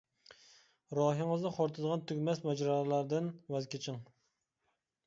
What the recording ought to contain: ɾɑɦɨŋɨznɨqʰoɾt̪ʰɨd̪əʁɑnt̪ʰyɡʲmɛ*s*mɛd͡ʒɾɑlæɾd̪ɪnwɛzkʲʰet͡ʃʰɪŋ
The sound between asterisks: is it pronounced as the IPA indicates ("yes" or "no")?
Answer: yes